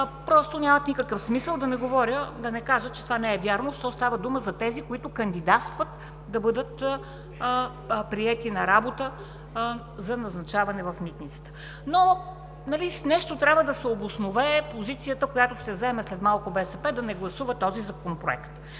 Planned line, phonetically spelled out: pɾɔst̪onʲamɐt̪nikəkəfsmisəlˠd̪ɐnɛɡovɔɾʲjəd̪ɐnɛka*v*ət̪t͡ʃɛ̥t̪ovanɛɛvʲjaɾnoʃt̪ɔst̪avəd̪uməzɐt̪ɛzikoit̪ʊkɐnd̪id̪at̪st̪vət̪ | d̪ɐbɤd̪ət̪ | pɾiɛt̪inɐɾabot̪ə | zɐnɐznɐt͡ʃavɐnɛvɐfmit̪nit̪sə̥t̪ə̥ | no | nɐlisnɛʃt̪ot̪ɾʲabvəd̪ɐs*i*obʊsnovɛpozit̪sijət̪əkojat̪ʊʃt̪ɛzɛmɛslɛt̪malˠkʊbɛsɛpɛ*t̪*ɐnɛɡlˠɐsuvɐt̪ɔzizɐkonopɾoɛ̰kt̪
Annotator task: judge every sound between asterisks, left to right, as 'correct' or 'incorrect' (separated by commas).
incorrect, incorrect, incorrect